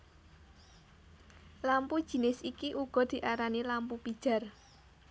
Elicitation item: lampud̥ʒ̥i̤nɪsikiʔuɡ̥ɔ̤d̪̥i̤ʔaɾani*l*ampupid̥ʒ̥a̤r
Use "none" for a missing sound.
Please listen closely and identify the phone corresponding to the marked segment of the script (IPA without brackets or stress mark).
l